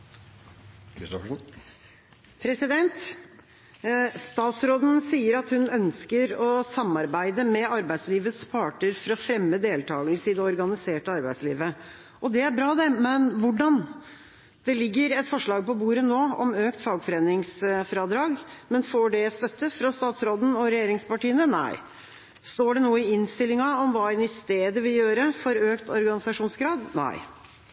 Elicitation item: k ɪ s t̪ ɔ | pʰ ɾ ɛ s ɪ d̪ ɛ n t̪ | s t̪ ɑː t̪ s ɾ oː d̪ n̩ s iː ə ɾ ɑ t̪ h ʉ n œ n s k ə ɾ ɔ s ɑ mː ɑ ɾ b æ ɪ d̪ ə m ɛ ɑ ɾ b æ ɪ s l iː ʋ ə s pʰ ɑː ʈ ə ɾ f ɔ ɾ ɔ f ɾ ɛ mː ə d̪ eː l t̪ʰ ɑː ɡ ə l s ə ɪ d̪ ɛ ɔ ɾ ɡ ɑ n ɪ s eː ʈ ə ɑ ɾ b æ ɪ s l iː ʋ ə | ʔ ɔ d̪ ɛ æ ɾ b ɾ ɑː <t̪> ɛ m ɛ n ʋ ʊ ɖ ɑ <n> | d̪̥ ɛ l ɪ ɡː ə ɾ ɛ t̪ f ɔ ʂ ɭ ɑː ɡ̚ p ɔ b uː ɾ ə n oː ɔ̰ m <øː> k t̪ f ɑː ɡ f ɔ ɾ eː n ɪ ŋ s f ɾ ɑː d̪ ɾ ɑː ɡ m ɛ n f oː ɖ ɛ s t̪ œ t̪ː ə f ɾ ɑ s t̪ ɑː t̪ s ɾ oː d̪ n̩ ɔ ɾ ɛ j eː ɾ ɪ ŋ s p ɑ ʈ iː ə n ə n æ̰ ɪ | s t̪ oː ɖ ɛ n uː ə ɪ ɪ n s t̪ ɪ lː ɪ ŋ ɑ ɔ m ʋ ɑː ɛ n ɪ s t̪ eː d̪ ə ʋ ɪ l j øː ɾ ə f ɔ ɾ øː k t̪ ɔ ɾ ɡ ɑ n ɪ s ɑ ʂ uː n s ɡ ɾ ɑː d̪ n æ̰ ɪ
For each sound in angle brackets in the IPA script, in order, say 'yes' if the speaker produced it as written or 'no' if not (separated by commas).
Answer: no, yes, yes